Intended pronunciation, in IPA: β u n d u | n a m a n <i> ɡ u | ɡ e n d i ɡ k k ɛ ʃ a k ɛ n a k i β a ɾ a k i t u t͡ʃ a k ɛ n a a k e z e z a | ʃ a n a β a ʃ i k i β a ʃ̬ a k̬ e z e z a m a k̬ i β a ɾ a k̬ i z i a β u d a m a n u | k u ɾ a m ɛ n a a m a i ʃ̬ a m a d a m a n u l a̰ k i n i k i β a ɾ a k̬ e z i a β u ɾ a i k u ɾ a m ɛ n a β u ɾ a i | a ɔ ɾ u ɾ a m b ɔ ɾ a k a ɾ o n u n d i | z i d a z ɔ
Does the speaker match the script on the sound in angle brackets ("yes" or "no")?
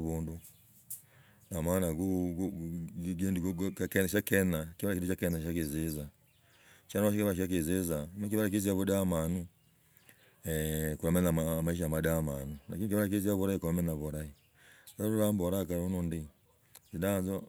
no